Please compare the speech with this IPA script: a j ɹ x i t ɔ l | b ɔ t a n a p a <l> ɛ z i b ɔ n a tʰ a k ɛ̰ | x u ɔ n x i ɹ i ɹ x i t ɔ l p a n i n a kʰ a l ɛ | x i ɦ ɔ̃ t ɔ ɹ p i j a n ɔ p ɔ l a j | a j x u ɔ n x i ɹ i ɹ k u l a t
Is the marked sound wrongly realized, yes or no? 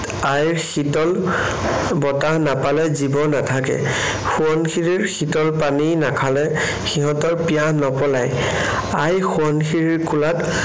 no